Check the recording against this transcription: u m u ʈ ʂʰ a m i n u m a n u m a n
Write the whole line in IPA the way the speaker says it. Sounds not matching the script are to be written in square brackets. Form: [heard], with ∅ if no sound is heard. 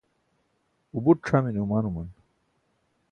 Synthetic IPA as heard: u [b] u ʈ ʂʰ a m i n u m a n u m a n